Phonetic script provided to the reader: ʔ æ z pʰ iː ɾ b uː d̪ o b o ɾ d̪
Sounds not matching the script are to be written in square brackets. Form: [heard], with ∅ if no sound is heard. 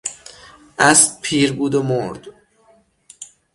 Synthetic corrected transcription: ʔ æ [s] pʰ iː ɾ b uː d̪ o [m] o ɾ d̪